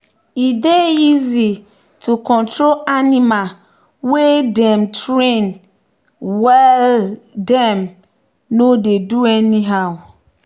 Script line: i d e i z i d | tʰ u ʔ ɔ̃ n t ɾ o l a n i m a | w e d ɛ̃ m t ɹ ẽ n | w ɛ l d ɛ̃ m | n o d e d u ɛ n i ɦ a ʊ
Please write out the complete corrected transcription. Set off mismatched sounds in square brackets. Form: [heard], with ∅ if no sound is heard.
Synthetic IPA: i d e i z i [∅] | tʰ u [k] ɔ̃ n t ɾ o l a n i m a | w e d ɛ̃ m t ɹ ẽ n | w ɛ l d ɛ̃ m | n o d e d u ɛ n i ɦ a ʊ